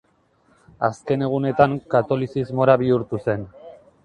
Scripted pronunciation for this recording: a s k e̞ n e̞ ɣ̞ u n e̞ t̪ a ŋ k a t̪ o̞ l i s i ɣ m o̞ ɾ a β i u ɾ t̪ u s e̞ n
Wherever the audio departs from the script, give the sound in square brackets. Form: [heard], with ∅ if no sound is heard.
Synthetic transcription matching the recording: a s k e̞ n e̞ ɣ̞ u n e̞ t̪ a ŋ k a t̪ o̞ l i s i [z] m o̞ ɾ a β i u ɾ t̪ u s e̞ n